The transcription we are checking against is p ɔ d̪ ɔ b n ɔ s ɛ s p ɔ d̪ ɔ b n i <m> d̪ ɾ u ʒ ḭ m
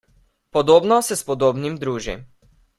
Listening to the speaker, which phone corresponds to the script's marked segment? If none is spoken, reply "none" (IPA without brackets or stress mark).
m